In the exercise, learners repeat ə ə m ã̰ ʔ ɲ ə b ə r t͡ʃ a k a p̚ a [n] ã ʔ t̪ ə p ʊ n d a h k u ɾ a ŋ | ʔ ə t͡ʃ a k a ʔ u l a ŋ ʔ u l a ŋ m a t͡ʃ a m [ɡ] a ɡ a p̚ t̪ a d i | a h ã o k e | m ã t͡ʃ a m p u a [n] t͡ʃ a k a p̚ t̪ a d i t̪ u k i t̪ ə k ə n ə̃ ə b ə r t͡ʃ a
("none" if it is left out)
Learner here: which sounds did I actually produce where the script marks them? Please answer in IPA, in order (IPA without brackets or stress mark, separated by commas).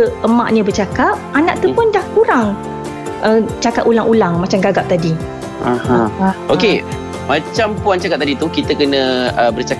n, ɡ, n